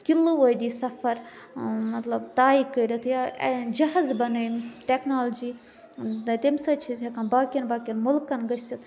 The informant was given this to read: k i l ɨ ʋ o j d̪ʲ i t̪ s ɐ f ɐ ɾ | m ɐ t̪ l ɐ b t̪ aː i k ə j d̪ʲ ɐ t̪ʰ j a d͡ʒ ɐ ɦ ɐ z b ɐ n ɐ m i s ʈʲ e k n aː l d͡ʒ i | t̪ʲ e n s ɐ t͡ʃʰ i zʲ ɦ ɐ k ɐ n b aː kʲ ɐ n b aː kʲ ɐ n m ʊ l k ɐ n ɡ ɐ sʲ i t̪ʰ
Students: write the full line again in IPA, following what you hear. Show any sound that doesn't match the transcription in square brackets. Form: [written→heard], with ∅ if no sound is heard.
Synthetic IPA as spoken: k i l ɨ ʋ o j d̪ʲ i [t̪→∅] s ɐ f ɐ ɾ | m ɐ t̪ l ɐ b t̪ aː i k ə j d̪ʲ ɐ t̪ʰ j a d͡ʒ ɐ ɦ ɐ z b ɐ n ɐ m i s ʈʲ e k n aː l d͡ʒ i | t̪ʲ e [n→m] s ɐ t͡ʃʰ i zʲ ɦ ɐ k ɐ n b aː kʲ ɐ n b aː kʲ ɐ n m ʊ l k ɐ n ɡ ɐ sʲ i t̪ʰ